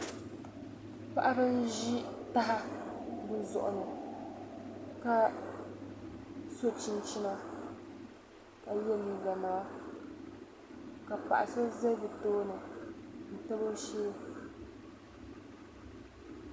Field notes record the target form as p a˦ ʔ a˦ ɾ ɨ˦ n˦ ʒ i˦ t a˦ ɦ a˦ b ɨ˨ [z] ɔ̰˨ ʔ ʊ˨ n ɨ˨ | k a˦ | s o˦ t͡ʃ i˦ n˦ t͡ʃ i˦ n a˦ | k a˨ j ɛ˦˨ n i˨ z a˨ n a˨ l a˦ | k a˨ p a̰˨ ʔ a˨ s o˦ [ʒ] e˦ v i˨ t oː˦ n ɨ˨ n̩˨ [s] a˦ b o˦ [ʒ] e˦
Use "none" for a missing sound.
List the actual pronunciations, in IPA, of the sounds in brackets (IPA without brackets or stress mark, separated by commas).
z, z, t, ʃ